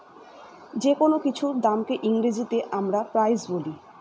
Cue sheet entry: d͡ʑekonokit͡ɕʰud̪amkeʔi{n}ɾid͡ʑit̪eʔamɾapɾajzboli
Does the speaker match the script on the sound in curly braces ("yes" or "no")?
no